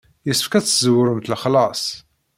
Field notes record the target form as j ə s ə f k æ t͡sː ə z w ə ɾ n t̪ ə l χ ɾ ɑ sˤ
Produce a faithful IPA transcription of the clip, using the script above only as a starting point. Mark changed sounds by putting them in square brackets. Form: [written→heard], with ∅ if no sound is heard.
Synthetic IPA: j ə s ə f k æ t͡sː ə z w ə ɾ [n→m] t̪ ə l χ [ɾ→l] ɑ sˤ